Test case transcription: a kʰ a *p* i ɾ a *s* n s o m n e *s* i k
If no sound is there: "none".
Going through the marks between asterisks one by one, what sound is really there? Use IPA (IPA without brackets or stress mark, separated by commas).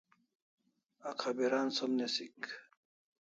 b, none, s